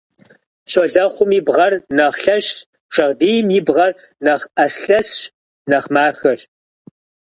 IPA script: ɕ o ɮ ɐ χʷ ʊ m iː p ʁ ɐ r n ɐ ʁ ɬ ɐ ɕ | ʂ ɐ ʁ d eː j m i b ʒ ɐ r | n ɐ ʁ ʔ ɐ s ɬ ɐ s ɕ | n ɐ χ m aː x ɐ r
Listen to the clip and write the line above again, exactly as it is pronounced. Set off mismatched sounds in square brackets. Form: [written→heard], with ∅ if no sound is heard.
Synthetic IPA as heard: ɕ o ɮ ɐ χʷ ʊ m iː [p→b] ʁ ɐ r n ɐ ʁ ɬ ɐ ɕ | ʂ ɐ ʁ d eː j m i b [ʒ→ʁ] ɐ r | n ɐ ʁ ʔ ɐ s ɬ ɐ s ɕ | n ɐ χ m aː x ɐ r